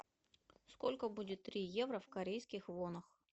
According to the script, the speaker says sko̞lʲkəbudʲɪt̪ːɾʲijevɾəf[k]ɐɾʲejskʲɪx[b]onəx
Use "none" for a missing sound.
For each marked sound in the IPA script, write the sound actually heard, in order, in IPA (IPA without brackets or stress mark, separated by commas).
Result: k, v